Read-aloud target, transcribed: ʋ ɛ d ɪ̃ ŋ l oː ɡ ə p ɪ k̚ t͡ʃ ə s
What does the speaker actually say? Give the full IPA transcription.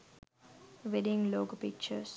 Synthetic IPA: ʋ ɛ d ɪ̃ ŋ l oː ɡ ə p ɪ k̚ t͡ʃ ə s